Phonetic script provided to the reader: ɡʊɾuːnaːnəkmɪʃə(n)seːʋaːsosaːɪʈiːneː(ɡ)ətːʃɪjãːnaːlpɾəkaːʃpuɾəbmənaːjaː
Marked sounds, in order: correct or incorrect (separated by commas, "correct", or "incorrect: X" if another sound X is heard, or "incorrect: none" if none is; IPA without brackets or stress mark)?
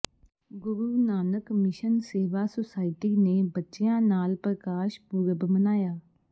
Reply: correct, incorrect: b